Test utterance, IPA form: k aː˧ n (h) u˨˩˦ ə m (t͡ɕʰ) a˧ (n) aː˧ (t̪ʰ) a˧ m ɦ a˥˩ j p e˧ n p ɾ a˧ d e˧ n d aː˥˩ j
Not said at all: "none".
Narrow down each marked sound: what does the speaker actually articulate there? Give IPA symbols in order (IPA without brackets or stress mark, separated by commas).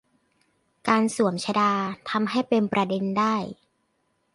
s, t͡ɕʰ, d, t̪ʰ